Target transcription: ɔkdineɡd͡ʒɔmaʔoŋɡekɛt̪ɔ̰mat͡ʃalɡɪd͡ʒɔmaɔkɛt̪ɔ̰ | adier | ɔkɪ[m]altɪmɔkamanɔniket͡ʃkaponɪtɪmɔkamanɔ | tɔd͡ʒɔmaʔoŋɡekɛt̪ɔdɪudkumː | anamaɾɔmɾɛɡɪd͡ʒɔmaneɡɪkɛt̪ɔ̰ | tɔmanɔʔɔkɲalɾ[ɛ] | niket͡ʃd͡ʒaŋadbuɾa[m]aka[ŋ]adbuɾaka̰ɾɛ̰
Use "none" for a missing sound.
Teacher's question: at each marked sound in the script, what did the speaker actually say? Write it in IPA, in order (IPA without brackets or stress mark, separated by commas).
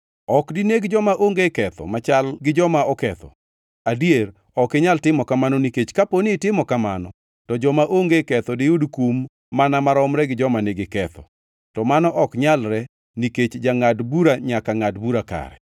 ɲ, ɛ, ɲ, ŋ